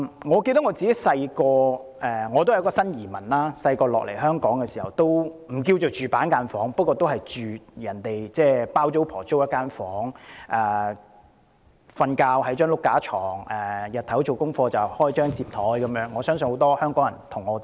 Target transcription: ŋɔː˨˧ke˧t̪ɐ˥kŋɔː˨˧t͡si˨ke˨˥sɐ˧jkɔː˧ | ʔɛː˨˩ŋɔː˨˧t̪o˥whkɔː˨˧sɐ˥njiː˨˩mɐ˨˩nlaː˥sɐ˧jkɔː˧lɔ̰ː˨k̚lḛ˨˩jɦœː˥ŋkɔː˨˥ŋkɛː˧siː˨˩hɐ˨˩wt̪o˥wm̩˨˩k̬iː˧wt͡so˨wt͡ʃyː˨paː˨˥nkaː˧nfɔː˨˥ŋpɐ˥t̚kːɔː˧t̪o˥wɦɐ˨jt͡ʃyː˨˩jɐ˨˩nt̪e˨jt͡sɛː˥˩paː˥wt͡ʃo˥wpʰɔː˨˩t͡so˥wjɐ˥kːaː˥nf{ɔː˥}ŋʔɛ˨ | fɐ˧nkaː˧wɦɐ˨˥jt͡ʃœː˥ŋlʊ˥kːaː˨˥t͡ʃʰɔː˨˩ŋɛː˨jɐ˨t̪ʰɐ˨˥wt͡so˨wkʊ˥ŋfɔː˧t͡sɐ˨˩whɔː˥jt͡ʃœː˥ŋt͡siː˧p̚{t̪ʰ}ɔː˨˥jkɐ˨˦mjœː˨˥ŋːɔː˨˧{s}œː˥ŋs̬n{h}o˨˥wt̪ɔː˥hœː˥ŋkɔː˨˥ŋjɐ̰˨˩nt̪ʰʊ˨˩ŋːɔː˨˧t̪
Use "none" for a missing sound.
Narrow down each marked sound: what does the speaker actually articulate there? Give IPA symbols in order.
ɔː˨˥, t̪ʰ, s, h

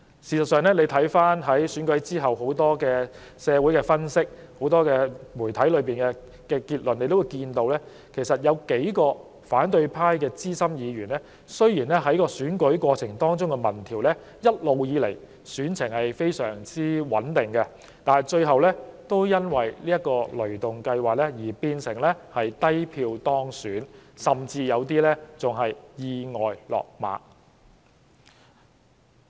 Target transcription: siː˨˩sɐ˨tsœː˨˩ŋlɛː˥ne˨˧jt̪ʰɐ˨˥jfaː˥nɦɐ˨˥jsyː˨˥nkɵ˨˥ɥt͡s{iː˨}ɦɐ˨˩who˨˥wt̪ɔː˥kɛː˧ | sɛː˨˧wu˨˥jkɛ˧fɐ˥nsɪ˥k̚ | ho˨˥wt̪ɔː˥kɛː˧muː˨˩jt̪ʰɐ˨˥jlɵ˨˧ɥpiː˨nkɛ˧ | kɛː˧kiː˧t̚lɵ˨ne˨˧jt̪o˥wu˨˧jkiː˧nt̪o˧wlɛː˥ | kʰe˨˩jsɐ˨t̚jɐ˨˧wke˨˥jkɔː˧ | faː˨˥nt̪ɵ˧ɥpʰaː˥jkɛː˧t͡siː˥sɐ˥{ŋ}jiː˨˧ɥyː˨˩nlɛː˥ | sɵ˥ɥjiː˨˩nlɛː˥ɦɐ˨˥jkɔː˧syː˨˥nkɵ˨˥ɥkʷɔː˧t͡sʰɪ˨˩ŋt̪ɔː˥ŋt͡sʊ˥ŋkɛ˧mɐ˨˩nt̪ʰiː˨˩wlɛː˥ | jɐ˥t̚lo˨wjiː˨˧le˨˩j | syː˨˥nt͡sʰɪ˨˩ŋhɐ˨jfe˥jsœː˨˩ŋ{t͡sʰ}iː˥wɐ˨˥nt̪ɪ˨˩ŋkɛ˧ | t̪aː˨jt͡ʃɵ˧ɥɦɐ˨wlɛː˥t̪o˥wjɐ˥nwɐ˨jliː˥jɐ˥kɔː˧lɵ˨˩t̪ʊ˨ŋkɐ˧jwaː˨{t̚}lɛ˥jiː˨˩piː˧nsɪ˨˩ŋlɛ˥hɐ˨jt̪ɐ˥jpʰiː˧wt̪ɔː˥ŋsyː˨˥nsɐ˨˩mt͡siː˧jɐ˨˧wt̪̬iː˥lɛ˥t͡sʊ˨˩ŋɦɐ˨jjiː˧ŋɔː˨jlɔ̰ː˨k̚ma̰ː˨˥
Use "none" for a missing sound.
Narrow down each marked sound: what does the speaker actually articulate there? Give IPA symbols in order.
iː˥, m, t͡s, k̚

